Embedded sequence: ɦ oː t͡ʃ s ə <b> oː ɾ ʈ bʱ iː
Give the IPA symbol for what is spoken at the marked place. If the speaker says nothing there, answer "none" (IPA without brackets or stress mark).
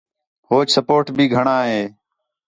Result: p